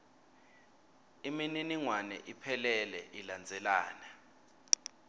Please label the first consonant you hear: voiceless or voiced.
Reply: voiced